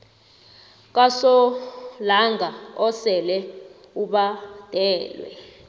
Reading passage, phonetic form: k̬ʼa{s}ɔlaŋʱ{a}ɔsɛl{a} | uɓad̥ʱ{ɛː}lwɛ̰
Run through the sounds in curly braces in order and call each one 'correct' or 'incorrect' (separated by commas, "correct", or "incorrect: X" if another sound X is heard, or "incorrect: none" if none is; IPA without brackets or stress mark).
correct, correct, incorrect: ɛ, correct